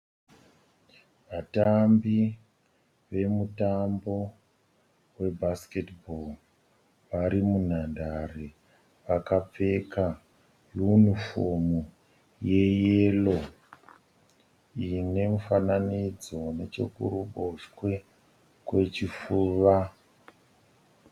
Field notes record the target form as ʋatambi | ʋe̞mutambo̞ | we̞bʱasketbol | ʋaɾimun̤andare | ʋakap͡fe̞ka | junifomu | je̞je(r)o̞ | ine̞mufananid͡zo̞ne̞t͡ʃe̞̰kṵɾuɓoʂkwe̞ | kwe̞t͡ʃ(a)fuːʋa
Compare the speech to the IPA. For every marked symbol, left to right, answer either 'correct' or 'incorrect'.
incorrect: l, incorrect: i

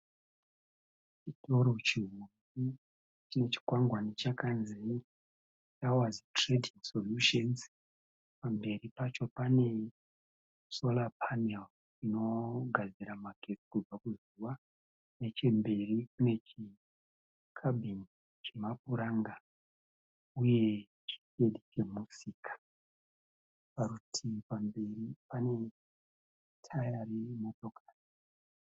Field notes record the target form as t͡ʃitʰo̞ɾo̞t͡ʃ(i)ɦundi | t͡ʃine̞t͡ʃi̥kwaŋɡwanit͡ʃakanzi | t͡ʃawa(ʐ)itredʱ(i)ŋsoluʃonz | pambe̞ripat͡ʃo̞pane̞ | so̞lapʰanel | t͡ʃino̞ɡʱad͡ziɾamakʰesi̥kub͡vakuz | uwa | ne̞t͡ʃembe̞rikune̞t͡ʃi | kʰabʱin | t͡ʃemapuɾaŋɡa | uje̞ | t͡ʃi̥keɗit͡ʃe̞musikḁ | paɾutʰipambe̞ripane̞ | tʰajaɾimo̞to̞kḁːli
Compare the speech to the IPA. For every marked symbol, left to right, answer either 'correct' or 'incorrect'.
correct, incorrect: z, correct

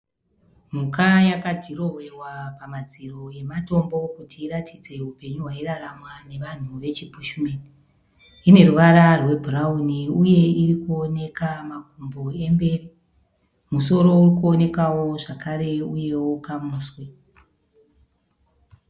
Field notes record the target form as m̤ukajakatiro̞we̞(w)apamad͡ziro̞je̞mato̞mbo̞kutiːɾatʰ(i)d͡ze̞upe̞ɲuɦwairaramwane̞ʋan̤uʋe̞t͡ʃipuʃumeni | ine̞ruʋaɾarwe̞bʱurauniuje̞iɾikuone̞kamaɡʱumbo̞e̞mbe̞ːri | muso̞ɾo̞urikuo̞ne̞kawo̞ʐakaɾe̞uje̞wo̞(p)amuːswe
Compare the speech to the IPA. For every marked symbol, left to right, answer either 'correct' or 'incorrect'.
correct, correct, incorrect: k

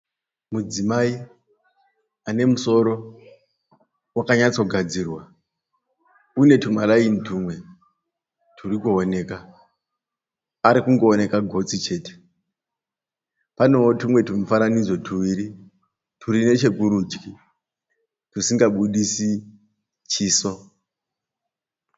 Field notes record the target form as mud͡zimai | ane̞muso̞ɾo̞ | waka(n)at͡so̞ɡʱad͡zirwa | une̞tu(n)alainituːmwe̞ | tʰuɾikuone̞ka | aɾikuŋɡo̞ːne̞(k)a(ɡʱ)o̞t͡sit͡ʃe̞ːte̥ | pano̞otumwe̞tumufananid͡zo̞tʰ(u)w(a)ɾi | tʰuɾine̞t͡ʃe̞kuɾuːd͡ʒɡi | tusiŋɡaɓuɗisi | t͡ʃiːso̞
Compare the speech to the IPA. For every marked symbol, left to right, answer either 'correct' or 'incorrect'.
incorrect: ɲ, incorrect: m, correct, correct, correct, incorrect: i

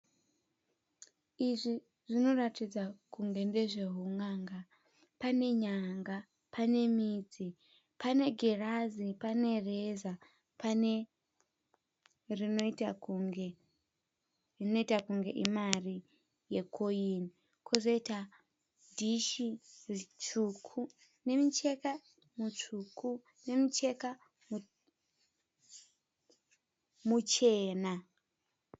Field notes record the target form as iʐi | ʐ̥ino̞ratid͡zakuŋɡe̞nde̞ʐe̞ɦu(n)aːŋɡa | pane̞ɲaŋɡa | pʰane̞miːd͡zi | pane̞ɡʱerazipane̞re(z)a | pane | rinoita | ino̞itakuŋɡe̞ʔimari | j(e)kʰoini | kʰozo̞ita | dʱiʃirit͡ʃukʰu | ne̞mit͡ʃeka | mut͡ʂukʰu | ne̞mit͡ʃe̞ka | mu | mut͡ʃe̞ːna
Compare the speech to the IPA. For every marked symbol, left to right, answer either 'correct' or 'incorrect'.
incorrect: ŋ, correct, correct

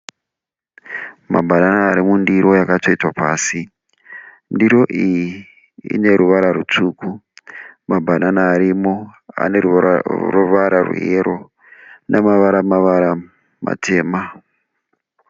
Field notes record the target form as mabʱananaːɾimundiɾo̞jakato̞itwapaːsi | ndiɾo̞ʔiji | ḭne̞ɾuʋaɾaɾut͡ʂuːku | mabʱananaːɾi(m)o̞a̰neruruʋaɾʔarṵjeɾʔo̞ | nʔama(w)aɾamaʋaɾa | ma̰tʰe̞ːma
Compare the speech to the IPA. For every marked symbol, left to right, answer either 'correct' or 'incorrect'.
correct, incorrect: ʋ

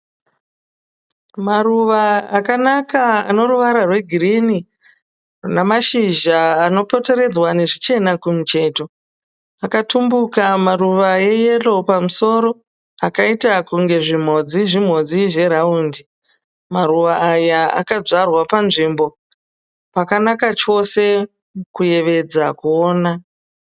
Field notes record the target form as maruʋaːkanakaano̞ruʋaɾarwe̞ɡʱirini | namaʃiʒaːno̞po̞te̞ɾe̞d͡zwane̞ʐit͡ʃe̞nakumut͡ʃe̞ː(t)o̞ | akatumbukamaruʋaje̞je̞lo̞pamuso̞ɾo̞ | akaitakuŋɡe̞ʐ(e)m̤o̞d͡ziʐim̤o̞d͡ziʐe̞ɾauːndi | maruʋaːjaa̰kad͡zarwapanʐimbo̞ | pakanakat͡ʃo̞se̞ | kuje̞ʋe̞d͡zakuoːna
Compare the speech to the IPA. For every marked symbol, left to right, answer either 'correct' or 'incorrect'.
correct, incorrect: i

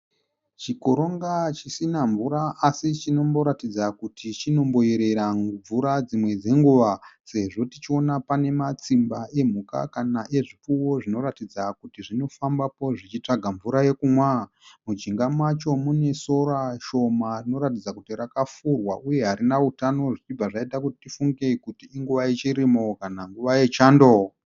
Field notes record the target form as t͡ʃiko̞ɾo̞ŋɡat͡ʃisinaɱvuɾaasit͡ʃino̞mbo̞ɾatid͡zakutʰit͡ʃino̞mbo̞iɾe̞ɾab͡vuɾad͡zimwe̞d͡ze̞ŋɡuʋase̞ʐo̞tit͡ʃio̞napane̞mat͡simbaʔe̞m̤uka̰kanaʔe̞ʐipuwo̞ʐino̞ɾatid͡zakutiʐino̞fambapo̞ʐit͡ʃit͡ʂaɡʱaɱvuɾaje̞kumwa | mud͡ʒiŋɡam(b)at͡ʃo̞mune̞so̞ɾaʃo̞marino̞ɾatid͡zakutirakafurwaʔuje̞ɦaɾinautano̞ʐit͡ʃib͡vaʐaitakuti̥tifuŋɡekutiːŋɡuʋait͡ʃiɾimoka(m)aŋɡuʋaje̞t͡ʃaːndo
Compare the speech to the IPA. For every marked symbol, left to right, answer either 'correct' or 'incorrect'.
incorrect: w, incorrect: n

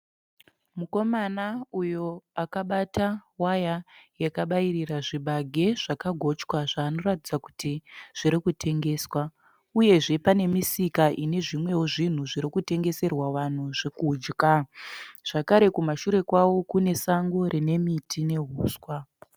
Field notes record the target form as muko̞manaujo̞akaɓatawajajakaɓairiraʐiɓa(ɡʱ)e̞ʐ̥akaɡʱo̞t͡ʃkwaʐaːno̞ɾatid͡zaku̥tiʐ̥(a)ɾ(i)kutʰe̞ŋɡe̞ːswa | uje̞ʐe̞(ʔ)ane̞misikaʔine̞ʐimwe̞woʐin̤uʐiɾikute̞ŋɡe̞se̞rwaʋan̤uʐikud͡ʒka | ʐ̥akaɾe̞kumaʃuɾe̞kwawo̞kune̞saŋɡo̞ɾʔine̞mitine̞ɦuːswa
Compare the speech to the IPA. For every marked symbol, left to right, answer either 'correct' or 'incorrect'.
correct, incorrect: i, correct, incorrect: p

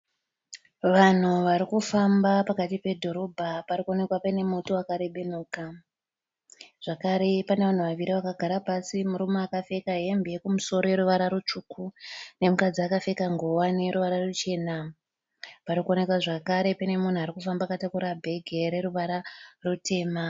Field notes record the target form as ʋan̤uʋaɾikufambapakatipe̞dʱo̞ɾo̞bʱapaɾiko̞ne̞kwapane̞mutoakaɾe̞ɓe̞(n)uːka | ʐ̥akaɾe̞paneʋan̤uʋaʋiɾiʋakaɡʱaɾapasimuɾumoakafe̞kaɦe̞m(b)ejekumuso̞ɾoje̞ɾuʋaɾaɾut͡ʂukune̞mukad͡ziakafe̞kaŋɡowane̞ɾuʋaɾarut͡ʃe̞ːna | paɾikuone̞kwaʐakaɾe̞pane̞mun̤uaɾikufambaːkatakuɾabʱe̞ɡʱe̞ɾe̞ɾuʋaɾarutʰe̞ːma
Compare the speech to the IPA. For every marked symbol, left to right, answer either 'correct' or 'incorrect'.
correct, correct

